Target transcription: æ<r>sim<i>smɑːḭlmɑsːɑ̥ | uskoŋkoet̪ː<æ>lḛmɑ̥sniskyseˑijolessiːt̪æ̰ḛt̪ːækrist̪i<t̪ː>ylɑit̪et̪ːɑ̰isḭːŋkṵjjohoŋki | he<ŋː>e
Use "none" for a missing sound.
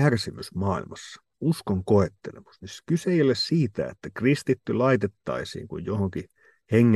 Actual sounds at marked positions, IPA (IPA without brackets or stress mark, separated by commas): r, y, e, t̪ː, ŋː